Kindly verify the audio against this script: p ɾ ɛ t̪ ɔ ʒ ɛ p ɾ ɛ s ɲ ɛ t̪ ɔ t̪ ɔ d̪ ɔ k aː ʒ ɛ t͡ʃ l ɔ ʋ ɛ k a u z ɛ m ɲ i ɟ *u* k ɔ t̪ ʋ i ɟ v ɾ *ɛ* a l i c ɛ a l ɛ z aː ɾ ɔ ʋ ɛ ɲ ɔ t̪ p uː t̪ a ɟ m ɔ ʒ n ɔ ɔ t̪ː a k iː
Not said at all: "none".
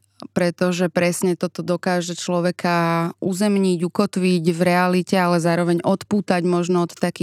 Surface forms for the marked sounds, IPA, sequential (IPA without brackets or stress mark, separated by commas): u, ɛ